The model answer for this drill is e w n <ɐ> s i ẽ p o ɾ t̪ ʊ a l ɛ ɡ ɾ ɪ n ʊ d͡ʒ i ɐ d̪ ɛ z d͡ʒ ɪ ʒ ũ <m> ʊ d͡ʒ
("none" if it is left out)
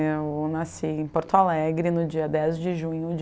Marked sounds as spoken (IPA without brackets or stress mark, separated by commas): a, ɲ